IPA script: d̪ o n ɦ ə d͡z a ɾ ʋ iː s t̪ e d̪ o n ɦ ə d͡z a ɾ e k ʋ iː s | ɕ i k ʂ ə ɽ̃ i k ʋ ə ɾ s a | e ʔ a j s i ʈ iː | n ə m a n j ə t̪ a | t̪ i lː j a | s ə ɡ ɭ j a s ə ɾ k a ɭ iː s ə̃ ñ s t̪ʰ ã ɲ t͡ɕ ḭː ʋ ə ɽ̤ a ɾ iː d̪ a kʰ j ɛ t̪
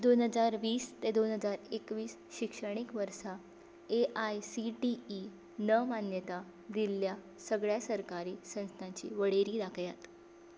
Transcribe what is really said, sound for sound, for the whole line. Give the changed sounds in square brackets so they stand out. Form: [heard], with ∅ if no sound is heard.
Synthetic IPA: d̪ o n ɦ ə d͡z a ɾ ʋ iː s t̪ e d̪ o n ɦ ə d͡z a ɾ e k ʋ iː s | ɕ i k ʂ ə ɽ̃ i k ʋ ə ɾ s a | e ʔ a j s i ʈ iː | n ə m a n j ə t̪ a | [d̪] i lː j a | s ə ɡ ɭ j a s ə ɾ k a [ɾ] iː s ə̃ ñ s t̪ʰ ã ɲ t͡ɕ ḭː ʋ ə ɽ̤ [e] ɾ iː d̪ a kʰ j [a] t̪